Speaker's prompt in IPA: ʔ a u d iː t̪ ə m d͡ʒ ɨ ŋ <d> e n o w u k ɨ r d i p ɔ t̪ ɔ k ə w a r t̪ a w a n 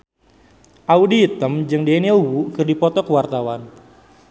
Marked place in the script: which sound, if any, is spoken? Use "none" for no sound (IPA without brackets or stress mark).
d